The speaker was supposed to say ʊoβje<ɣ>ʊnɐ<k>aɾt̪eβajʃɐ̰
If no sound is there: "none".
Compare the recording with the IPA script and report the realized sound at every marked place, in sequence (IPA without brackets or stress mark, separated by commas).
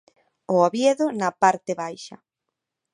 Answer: ð, p